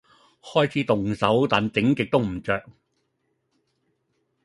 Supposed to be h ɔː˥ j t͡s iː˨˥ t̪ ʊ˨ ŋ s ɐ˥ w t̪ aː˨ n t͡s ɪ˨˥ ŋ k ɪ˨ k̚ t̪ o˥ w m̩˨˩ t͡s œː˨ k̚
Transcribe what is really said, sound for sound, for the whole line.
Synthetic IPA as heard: h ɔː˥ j t͡sʰ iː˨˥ t̪ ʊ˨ ŋ s ɐ˨˥ w t̪ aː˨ n t͡s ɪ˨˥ ŋ k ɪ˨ k̚ t̪ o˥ w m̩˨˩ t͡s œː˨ k̚